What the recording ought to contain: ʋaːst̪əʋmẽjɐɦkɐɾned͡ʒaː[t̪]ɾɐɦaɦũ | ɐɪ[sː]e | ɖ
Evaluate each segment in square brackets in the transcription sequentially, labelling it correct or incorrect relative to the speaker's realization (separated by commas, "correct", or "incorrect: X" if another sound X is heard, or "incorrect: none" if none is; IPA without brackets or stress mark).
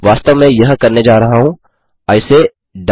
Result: incorrect: none, incorrect: s